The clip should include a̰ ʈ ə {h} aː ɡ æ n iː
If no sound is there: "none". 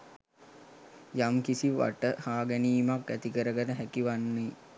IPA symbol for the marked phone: h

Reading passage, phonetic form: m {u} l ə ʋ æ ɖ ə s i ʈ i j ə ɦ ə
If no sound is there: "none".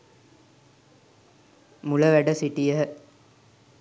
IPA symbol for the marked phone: u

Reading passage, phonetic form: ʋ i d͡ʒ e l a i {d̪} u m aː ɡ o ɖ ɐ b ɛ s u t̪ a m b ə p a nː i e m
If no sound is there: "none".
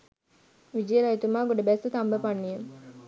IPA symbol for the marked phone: t̪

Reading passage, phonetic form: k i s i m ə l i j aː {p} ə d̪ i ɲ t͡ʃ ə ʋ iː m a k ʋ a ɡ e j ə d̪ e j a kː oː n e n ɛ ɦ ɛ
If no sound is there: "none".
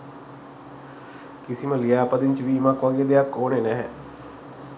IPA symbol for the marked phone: p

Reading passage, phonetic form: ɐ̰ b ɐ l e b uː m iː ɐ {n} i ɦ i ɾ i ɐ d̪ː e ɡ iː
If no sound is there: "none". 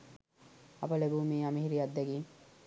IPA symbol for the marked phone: m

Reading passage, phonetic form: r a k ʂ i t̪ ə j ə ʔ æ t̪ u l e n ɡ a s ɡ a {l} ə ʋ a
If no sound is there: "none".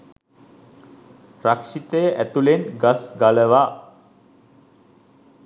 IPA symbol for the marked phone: l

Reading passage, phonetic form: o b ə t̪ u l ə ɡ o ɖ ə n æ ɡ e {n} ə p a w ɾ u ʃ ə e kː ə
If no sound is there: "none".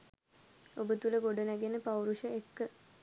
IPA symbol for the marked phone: n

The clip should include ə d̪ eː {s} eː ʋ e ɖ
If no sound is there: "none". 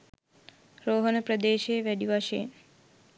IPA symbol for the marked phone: ʃ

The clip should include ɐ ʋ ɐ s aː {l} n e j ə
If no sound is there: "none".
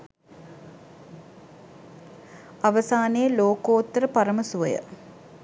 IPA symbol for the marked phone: none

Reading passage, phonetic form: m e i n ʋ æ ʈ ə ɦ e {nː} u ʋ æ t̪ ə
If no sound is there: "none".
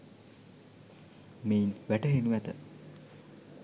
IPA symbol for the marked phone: n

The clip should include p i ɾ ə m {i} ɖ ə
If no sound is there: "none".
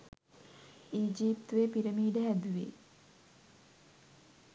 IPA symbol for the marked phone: iː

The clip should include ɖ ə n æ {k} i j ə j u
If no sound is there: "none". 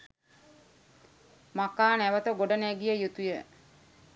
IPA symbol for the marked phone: ɡ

